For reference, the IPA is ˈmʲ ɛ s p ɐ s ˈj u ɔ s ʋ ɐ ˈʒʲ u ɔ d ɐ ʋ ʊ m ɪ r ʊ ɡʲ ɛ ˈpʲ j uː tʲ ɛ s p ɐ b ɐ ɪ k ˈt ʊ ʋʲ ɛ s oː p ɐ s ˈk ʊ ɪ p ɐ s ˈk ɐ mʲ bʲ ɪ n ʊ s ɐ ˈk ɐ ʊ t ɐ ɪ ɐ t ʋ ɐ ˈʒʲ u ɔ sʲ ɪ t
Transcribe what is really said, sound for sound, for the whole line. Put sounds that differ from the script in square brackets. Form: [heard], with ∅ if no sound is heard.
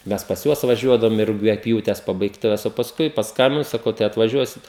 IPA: ˈmʲ ɛ s p ɐ s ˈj u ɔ s ʋ ɐ ˈʒʲ u ɔ d ɐ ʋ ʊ m ɪ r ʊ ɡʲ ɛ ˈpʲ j uː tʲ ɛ s p ɐ b ɐ ɪ k ˈt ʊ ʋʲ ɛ s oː p ɐ s ˈk ʊ ɪ p ɐ s ˈk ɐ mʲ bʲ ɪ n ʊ s ɐ ˈk ɐ ʊ t ɐ ɪ ɐ t ʋ ɐ ˈʒʲ u ɔ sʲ ɪ t